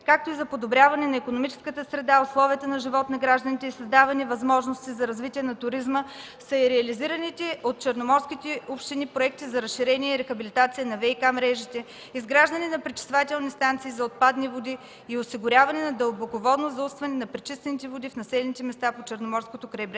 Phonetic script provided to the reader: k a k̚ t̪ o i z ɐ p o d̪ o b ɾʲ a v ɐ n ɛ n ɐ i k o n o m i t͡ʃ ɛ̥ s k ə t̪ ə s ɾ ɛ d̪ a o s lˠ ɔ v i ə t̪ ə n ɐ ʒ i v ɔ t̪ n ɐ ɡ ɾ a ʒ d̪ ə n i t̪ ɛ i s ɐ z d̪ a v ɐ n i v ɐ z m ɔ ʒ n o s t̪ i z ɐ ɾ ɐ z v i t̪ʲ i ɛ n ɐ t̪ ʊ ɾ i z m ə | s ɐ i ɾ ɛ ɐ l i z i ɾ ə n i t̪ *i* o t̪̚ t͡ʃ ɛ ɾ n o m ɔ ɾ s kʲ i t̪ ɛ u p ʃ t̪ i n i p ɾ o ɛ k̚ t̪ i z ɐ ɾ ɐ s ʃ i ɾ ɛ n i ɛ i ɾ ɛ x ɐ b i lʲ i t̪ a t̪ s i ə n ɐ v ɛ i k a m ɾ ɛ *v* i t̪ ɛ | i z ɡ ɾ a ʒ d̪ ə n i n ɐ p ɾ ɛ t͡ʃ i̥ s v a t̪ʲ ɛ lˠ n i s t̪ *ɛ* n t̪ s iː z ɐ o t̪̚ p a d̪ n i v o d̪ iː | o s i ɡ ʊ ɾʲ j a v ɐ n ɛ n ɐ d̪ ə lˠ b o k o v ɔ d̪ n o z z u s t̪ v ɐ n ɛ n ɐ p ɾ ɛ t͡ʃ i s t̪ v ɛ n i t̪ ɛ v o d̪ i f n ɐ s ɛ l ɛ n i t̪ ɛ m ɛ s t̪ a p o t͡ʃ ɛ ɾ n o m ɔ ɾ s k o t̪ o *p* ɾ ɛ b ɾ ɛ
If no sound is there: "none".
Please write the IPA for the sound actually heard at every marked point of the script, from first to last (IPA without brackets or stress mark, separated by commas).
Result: ɛ, ʒ, a, k